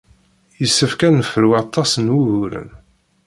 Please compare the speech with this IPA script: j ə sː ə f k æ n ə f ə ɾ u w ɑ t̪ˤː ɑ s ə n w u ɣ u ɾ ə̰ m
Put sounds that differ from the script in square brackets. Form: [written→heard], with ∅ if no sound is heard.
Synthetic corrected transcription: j ə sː ə f k æ n ə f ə ɾ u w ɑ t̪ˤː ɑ s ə n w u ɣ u ɾ ə̰ [m→n]